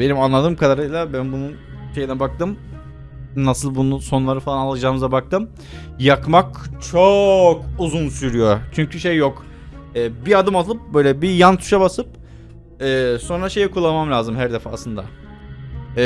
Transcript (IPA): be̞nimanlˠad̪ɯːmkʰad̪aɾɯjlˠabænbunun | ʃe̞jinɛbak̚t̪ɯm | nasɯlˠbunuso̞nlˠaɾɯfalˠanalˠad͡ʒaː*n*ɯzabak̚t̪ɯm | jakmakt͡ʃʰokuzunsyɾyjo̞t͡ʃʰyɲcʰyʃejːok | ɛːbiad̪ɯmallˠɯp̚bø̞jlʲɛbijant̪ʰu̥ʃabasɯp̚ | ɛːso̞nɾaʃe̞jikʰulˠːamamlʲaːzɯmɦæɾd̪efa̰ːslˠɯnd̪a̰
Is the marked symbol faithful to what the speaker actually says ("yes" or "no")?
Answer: no